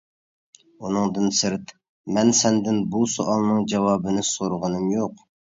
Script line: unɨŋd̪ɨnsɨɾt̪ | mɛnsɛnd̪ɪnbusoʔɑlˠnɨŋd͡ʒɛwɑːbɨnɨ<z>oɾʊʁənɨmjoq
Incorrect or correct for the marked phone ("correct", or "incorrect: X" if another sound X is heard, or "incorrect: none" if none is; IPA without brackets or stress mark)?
incorrect: s